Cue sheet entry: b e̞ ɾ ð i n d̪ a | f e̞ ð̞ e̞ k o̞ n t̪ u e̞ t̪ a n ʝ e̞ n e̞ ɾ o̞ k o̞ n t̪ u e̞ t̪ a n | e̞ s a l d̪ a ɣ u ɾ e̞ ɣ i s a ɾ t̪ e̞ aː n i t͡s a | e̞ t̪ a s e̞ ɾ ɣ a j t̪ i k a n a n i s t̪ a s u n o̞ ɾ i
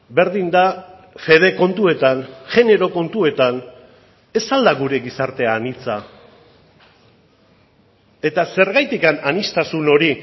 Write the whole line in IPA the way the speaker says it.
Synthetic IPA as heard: b e̞ ɾ ð i n d̪ a | f e̞ ð̞ e̞ k o̞ n t̪ u e̞ t̪ a n ʝ e̞ n e̞ ɾ o̞ k o̞ n t̪ u e̞ t̪ a n | e̞ s a l d̪ a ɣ u ɾ e̞ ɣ i s a ɾ t̪ e̞ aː n i t͡s a | e̞ t̪ a s e̞ ɾ ɣ a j t̪ i k a n a n i s t̪ a s u n o̞ ɾ i